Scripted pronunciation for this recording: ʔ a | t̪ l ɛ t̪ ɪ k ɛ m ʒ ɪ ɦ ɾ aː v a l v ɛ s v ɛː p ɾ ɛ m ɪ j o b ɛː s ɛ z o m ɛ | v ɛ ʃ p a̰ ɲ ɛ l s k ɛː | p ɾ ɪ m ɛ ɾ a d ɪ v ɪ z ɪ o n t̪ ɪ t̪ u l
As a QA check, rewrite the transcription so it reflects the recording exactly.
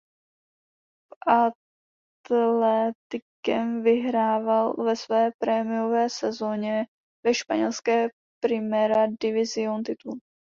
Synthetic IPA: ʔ a | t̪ l ɛ t̪ ɪ k ɛ m v ɪ ɦ ɾ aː v a l v ɛ s v ɛː p ɾ ɛ m ɪ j o v ɛː s ɛ z o ɲ ɛ | v ɛ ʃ p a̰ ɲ ɛ l s k ɛː | p ɾ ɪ m ɛ ɾ a d ɪ v ɪ z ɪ o n t̪ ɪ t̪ u l